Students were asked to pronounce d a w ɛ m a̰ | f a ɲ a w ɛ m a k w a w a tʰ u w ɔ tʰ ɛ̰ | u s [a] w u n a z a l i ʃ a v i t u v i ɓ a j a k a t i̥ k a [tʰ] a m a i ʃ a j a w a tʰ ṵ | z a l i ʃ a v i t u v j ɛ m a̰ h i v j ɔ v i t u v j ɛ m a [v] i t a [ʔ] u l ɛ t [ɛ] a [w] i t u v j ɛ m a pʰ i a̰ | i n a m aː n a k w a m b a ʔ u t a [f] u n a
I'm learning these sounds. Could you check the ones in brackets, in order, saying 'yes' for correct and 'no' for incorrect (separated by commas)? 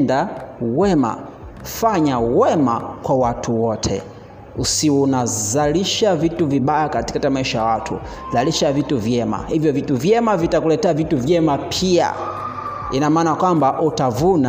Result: no, no, yes, no, yes, no, no